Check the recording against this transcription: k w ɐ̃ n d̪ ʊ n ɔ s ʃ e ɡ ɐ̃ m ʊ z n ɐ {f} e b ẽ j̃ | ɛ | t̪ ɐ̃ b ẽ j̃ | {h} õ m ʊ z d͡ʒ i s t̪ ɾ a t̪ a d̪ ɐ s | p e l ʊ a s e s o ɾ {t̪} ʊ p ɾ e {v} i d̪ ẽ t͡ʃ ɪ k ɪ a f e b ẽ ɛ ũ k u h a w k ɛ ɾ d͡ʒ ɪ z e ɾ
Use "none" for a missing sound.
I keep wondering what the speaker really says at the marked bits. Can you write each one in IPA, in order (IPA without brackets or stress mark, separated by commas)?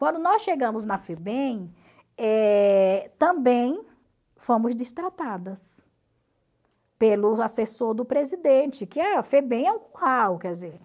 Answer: f, f, d̪, z